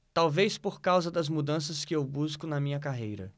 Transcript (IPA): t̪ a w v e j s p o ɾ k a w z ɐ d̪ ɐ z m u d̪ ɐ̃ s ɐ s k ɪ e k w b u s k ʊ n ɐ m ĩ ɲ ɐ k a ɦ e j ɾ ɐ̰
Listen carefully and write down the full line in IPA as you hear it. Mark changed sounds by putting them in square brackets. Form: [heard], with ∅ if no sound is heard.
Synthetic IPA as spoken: t̪ a w v e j s p o ɾ k a w z ɐ d̪ ɐ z m u d̪ ɐ̃ s ɐ s k ɪ e [∅] w b u s k ʊ n ɐ m ĩ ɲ ɐ k a ɦ e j ɾ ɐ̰